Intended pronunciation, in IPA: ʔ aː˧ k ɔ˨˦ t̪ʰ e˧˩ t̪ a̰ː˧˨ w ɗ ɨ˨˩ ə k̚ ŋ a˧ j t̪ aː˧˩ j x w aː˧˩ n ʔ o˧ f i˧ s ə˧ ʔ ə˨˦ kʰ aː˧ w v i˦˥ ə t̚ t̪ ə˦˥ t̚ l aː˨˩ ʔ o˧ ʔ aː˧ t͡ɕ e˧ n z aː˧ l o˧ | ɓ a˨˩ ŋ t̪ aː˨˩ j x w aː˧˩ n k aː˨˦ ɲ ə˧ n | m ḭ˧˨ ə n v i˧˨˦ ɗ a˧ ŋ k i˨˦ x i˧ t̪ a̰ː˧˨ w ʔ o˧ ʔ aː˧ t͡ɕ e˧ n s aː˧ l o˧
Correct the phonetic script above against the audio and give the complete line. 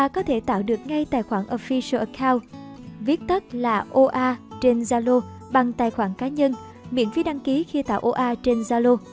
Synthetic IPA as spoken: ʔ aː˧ k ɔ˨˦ t̪ʰ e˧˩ t̪ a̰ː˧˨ w ɗ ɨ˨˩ ə k̚ ŋ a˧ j t̪ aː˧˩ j x w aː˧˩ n ʔ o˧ f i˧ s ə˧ ʔ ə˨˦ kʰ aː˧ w v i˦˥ ə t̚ t̪ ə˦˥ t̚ l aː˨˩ ʔ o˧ ʔ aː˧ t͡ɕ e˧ n z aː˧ l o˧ | ɓ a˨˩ ŋ t̪ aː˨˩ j x w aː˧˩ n k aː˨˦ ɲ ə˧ n | m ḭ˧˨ ə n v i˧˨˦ ɗ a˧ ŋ k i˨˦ x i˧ t̪ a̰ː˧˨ w ʔ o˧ ʔ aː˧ t͡ɕ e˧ n z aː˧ l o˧

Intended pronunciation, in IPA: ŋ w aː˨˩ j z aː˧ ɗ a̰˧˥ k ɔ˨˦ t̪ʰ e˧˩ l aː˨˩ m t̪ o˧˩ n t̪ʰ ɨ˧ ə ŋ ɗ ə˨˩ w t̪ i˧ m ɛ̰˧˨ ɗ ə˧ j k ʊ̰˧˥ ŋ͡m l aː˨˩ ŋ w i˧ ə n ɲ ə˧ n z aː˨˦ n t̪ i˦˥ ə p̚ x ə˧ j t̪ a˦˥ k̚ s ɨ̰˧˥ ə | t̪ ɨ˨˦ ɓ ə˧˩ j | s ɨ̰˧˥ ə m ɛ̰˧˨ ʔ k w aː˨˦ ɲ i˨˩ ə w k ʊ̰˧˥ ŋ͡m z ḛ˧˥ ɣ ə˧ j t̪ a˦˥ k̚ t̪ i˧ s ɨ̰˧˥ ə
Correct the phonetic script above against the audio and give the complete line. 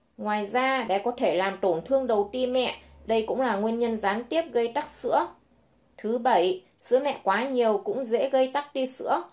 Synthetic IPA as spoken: ŋ w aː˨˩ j z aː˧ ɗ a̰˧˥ k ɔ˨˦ t̪ʰ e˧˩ l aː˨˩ m t̪ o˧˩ n t̪ʰ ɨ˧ ə ŋ ɗ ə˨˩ w t̪ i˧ m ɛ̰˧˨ ɗ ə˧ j k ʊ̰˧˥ ŋ͡m l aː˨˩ ŋ w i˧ ə n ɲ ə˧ n z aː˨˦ n t̪ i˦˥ ə p̚ ɣ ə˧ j t̪ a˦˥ k̚ s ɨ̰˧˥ ə | t̪ʰ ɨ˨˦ ɓ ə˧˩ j | s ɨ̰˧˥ ə m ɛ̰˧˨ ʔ k w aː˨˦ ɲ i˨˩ ə w k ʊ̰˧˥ ŋ͡m z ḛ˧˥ ɣ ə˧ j t̪ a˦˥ k̚ t̪ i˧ s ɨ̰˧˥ ə

